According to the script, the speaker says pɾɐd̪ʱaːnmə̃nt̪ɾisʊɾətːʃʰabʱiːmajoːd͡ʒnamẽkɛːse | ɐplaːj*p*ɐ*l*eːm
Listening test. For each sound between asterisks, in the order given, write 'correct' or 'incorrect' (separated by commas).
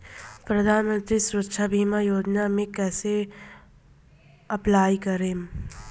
incorrect, incorrect